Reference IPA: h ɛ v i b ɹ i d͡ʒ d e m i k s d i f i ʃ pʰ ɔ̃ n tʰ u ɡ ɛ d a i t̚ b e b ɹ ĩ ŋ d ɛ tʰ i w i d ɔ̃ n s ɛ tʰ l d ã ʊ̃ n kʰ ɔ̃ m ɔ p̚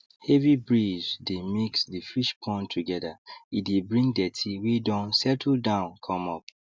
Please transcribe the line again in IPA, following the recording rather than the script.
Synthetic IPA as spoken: h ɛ v i b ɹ i d͡ʒ d e m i k s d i f i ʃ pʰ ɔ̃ n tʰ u ɡ ɛ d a i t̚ d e b ɹ ĩ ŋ d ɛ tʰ i w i d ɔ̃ n s ɛ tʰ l d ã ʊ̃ n kʰ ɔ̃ m ɔ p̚